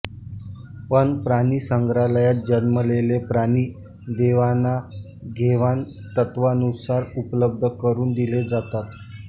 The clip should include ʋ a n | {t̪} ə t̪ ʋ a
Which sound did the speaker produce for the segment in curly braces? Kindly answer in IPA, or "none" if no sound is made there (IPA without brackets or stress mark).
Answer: t̪